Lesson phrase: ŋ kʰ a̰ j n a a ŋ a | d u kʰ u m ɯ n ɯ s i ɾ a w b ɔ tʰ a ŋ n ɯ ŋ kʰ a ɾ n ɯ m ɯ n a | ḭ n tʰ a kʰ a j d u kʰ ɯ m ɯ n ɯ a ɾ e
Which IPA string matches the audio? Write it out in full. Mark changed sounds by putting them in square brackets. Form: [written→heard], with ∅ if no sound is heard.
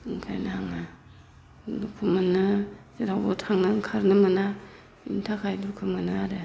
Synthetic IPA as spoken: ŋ kʰ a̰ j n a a ŋ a | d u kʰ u m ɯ n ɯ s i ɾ a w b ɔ tʰ a ŋ n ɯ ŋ kʰ a ɾ n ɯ m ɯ n a | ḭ n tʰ a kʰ a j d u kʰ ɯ m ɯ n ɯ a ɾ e